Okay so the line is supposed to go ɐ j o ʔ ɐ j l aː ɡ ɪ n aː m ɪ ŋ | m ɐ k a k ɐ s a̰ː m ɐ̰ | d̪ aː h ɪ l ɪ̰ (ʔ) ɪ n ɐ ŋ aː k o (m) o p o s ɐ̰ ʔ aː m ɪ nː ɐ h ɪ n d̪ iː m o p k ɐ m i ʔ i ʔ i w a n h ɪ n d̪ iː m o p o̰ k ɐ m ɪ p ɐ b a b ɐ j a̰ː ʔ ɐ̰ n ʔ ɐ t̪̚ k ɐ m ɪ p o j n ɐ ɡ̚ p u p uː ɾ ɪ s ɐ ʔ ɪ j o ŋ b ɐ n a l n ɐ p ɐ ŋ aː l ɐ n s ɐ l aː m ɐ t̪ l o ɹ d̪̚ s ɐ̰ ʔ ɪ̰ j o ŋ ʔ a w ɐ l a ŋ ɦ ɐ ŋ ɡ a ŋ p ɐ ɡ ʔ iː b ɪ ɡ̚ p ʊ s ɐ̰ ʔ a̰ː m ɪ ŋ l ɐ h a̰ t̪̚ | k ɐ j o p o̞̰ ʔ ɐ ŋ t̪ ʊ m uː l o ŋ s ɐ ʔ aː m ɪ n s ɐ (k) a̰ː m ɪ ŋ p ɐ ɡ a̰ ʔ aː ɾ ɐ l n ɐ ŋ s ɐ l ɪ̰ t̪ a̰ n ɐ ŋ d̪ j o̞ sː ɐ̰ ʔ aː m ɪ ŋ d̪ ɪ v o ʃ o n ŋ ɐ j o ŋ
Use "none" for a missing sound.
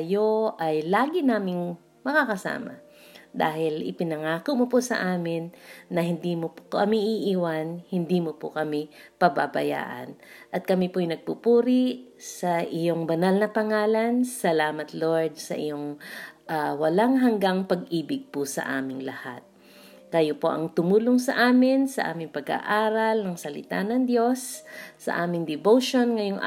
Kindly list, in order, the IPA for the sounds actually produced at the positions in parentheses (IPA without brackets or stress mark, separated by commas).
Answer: p, m, ʔ